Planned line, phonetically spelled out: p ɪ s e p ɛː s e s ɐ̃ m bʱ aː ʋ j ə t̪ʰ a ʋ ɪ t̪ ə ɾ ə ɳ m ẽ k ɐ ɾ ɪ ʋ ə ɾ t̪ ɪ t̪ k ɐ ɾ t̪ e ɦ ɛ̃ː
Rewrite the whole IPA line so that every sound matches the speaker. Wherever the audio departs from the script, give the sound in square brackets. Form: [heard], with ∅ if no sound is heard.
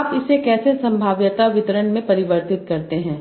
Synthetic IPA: p ɪ s e [k] ɛː s e s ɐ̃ m bʱ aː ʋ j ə [t̪] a ʋ ɪ t̪ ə ɾ ə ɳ m ẽ [p] ɐ ɾ ɪ ʋ ə ɾ t̪ ɪ t̪ k ɐ ɾ t̪ e ɦ ɛ̃ː